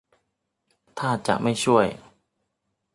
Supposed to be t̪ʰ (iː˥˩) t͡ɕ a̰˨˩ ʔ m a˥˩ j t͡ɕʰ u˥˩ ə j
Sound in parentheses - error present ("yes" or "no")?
yes